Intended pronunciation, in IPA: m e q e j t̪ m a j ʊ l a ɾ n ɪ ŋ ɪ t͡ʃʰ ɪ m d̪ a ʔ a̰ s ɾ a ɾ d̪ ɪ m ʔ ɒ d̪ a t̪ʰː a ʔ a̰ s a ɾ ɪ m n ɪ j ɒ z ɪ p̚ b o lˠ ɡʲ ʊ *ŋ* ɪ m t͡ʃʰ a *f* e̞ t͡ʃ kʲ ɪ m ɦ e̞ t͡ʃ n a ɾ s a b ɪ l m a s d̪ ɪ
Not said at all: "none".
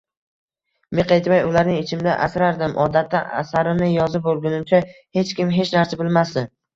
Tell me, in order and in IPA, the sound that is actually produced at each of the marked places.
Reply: n, h

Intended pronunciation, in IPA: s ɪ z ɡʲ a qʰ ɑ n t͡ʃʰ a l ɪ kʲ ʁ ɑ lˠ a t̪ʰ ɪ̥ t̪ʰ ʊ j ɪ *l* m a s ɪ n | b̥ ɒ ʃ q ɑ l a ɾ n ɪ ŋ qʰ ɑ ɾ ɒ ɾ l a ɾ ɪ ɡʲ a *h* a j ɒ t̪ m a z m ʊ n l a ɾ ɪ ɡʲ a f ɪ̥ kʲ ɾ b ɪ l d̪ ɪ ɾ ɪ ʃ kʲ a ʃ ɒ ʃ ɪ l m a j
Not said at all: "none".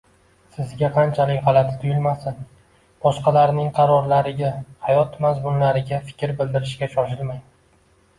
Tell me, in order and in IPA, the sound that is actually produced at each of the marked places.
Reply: l, h

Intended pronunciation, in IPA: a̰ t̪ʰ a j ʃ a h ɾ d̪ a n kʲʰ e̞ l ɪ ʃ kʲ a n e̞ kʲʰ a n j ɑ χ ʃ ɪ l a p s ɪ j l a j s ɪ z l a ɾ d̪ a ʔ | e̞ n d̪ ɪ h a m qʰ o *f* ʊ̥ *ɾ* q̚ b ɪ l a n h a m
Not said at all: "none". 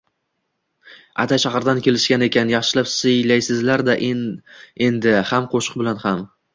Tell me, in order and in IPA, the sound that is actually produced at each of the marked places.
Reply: ʃ, none

